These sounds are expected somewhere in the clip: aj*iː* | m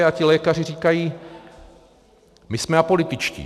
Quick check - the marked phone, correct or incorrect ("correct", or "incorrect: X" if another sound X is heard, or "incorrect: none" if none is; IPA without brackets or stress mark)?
correct